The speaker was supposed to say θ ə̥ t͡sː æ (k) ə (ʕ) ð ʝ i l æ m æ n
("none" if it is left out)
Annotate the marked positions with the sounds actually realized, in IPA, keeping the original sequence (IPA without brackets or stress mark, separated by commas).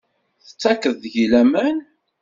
k, ð